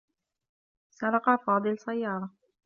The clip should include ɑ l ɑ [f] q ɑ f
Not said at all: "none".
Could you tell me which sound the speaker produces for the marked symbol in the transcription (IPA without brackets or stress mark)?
none